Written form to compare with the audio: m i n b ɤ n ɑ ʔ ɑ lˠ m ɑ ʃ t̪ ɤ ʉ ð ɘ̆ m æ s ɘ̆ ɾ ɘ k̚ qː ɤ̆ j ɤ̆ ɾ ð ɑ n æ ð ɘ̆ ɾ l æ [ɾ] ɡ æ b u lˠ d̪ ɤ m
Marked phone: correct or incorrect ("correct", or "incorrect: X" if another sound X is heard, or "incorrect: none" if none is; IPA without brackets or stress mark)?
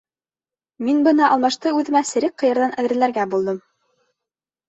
correct